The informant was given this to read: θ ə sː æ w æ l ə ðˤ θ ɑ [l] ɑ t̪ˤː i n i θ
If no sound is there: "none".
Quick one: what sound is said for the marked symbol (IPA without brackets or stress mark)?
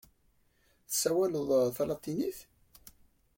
l